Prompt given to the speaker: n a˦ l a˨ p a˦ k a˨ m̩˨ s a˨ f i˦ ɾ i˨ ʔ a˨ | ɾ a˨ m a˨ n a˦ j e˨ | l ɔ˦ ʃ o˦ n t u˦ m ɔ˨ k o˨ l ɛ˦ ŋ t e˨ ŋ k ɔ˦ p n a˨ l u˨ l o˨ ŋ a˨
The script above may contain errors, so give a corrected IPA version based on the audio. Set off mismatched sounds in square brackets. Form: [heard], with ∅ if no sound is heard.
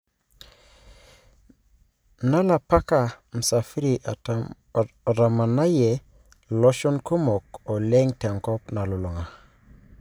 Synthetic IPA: n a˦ l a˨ p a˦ k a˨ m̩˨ s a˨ f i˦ ɾ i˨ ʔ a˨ | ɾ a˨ m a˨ n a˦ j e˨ | l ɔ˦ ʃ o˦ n [k] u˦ m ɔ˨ k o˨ l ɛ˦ ŋ t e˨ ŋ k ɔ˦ p n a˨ l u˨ l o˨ ŋ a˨